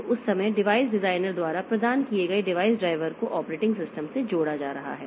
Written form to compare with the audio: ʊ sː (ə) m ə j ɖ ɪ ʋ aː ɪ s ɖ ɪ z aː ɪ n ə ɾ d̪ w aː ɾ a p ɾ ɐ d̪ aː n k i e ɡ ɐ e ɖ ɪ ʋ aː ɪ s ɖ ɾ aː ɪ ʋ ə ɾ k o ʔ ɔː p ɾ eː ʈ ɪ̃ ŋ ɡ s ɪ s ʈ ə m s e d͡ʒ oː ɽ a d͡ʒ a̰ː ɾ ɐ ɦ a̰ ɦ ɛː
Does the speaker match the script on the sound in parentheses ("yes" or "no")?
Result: no